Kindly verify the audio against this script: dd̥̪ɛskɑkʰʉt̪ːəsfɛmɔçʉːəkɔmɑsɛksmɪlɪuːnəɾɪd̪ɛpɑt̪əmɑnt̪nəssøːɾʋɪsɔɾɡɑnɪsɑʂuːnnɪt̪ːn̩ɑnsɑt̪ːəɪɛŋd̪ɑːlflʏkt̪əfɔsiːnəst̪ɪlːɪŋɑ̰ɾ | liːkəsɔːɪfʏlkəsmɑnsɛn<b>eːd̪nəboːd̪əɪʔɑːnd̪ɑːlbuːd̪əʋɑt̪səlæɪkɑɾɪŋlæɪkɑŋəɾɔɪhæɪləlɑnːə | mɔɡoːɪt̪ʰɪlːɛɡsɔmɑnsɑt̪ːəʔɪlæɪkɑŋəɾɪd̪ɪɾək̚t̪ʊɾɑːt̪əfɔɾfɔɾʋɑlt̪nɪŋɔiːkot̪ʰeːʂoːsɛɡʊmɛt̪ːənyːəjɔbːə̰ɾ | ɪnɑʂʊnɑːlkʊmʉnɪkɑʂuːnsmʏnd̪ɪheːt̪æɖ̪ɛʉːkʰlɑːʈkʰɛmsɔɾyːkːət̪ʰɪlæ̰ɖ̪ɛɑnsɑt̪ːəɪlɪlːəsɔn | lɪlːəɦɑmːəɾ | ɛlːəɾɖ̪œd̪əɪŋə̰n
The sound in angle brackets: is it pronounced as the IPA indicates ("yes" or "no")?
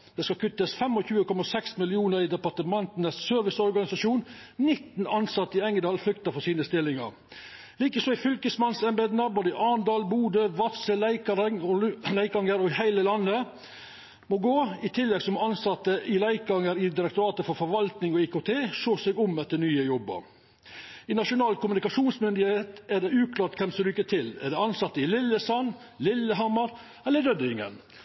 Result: yes